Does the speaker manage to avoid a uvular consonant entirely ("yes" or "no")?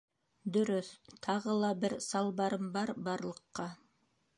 no